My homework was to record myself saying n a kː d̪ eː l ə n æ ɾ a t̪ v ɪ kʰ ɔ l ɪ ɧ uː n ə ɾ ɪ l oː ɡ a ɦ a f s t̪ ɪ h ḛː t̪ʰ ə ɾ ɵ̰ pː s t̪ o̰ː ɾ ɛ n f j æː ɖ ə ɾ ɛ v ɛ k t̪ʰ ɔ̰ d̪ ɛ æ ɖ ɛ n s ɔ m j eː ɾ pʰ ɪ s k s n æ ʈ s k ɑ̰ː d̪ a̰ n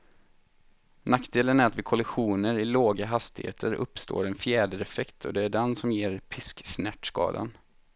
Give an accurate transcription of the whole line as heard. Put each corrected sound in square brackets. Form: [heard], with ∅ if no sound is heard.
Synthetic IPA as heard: n a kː d̪ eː l ə n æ ɾ a t̪ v ɪ kʰ ɔ l ɪ ɧ uː n ə ɾ ɪ l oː ɡ a ɦ a [∅] s t̪ ɪ h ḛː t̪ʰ ə ɾ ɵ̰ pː s t̪ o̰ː ɾ ɛ n f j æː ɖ ə ɾ ɛ [f] ɛ k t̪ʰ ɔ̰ d̪ ɛ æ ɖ ɛ n s ɔ m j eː ɾ pʰ ɪ s k s n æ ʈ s k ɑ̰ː d̪ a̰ n